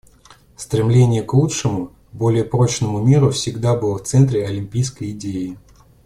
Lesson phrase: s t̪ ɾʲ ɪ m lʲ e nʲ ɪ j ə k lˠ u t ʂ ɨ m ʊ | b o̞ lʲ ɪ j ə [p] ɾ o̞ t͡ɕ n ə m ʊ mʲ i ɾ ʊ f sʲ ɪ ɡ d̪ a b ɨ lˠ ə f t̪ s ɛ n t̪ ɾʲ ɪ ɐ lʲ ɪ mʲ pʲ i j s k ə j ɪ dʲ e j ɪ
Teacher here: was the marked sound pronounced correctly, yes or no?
yes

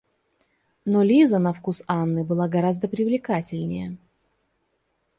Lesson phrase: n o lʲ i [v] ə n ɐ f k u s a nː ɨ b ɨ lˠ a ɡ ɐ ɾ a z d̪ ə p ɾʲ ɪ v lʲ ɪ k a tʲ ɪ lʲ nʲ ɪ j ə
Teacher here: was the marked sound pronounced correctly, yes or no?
no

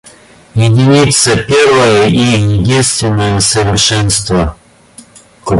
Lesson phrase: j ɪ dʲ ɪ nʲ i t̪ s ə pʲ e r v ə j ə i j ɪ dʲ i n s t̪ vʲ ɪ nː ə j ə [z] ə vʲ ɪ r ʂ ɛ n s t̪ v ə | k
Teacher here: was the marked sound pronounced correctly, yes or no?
no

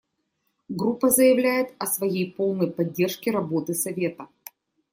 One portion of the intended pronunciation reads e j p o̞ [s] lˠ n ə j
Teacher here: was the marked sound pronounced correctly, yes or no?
no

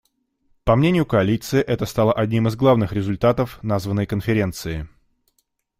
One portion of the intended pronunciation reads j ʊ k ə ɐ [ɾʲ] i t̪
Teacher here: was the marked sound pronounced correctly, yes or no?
no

